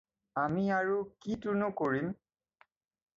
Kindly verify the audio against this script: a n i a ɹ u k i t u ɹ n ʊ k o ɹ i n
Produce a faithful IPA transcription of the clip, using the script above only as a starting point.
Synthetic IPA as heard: a m i a ɹ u k i t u n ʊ k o ɹ i m

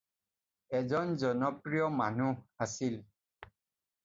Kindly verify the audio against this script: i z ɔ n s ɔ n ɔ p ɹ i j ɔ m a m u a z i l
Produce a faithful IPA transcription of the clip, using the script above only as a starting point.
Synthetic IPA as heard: ɛ z ɔ n z ɔ n ɔ p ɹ i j ɔ m a n u a s i l

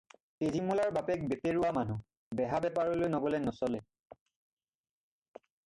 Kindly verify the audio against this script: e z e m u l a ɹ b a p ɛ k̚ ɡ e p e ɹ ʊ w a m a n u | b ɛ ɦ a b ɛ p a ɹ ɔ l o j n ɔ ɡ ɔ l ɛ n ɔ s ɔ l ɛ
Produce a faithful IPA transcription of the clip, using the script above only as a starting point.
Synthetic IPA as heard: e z i m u l a ɹ b a p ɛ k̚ b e p e ɹ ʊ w a m a n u | b ɛ ɦ a b ɛ p a ɹ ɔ l o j n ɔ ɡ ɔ l ɛ n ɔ s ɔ l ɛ

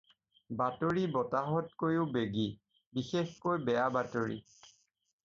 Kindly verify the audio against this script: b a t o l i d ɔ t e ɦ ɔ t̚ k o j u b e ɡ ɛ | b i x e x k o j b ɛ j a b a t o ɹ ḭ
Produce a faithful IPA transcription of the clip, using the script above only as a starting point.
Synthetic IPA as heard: b a t o ɹ i b ɔ t a ɦ ɔ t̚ k o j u b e ɡ i | b i x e x k o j b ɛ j a b a t o ɹ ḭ

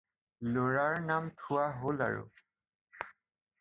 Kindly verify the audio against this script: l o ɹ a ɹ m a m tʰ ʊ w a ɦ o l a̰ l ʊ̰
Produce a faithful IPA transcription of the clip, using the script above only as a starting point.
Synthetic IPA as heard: l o ɹ a ɹ n a m tʰ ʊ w a ɦ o l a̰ ɹ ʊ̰

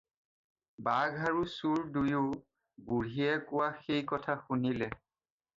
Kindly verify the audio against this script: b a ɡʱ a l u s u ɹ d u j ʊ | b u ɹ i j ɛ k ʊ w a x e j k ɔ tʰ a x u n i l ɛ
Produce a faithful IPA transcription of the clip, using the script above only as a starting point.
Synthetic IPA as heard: b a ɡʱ a ɹ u s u ɹ d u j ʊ | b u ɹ i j ɛ k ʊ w a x e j k ɔ tʰ a x u n i l ɛ

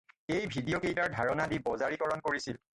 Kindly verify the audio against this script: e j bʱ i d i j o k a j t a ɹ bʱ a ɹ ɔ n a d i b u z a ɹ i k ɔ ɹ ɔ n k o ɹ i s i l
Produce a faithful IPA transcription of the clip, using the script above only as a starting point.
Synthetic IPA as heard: e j bʱ i d i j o k e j t a ɹ dʱ a ɹ ɔ n a d i b ɔ z a ɹ i k ɔ ɹ ɔ n k o ɹ i s i l

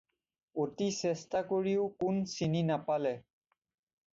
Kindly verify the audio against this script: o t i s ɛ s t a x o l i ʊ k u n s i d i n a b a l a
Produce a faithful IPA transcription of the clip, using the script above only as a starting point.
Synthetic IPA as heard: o t i s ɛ s t a k o ɹ i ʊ k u n s i n i n a p a l ɛ

